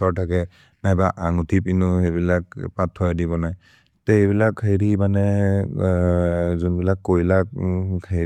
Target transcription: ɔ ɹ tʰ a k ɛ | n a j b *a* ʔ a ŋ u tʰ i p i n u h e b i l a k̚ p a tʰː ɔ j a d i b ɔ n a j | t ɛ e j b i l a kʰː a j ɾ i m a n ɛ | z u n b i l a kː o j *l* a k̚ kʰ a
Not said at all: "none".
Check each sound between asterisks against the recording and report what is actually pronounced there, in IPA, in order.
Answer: a, l

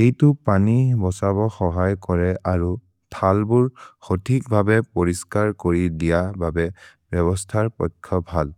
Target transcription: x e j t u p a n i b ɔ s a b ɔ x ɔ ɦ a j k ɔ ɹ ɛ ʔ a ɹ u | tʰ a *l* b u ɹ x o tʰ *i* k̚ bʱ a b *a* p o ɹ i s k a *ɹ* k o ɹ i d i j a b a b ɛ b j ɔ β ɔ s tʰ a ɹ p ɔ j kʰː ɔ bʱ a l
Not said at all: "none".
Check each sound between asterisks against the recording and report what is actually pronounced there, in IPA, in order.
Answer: l, i, ɛ, ɹ

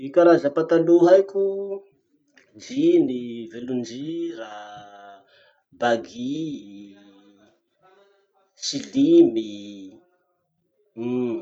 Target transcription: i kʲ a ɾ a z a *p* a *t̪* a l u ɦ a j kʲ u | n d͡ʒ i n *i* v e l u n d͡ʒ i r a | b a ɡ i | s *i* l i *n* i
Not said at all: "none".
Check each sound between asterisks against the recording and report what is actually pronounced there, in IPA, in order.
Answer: p, t̪, i, i, m

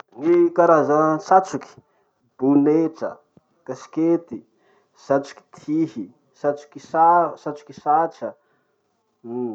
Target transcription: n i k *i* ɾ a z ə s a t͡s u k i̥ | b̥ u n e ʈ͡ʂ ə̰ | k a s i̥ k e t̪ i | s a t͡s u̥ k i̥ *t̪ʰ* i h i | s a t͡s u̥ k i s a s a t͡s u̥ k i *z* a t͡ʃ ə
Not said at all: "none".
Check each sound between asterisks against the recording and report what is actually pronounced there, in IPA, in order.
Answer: a, t̪ʰ, s

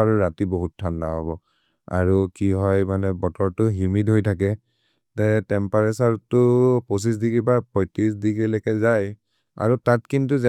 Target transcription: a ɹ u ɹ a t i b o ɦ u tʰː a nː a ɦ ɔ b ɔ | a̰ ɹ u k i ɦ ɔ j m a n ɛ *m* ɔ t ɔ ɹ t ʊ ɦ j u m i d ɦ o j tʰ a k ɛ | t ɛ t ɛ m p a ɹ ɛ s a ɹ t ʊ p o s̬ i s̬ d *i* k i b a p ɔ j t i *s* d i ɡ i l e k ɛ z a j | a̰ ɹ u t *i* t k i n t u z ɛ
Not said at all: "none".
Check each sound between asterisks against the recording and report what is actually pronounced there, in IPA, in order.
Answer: b, i, s, a

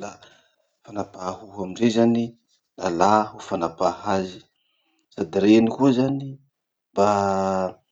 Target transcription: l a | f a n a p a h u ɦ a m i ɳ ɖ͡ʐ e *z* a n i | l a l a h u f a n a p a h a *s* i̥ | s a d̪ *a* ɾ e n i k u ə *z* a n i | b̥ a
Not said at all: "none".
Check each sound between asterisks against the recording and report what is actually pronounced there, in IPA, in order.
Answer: z, z, i, z

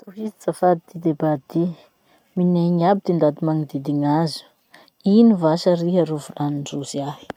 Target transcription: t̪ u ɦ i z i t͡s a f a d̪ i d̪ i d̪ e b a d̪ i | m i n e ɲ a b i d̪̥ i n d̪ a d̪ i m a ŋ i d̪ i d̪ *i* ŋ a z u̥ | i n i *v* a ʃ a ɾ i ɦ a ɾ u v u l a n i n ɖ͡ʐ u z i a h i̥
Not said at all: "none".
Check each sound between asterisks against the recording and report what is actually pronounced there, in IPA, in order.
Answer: i, v

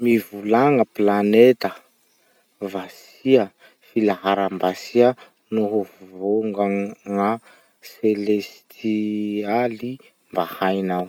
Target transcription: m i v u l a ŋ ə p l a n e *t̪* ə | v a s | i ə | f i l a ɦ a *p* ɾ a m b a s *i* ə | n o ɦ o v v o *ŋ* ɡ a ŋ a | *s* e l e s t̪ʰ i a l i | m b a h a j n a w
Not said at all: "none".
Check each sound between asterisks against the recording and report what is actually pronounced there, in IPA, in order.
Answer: t̪, none, i, ŋ, s

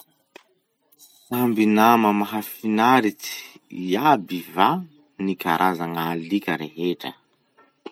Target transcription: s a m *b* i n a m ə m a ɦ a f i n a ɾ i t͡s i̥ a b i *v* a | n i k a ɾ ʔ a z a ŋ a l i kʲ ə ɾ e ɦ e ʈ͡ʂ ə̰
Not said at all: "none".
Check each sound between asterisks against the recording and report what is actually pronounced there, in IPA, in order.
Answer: b, v

